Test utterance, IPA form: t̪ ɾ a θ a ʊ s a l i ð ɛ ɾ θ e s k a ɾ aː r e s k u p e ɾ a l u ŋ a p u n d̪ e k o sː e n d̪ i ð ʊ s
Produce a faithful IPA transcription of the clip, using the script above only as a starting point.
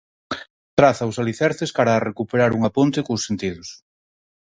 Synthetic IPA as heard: t̪ ɾ a θ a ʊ s a l i θ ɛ ɾ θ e s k a ɾ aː r e k u p e ɾ a ɾ u ŋ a p o n t̪ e k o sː e n t̪ i ð ʊ s